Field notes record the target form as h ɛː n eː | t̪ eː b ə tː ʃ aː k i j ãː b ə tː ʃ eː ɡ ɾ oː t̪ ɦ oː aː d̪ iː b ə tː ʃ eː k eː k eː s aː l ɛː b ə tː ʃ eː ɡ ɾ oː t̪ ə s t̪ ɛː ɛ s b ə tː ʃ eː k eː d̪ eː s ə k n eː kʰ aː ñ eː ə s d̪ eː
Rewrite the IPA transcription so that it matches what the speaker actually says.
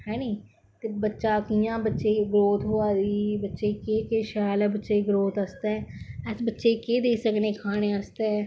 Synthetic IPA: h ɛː n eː | t̪ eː b ə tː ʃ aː k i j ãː b ə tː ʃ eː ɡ ɾ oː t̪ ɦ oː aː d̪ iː b ə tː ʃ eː k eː k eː ʃ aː l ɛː b ə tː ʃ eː ɡ ɾ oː t̪ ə s t̪ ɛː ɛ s b ə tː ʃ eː k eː d̪ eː s ə k n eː kʰ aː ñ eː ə s t̪ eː